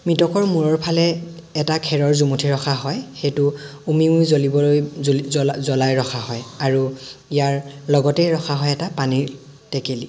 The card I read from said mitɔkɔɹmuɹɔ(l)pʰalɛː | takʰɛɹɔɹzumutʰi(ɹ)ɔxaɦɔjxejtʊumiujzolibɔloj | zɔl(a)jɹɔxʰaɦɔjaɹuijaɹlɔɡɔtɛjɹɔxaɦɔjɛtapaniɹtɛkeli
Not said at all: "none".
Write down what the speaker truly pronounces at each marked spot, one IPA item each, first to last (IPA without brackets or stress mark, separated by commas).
ɹ, ɹ, a